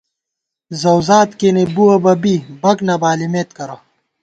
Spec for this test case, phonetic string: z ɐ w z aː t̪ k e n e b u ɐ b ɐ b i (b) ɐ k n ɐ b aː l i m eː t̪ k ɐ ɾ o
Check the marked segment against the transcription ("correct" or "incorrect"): correct